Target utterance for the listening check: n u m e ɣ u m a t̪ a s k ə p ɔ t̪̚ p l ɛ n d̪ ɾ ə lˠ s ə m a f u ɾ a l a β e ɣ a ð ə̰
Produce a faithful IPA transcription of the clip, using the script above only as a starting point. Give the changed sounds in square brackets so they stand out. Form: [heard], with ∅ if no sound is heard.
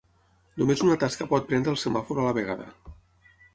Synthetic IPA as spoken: n u m e [z] u [n] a t̪ a s k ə p ɔ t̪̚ p [ɾ] ɛ n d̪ ɾ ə lˠ s ə m a f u ɾ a l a β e ɣ a ð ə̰